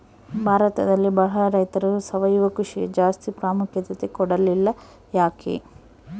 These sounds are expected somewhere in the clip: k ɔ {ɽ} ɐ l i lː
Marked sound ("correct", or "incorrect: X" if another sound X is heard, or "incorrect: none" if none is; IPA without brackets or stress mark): correct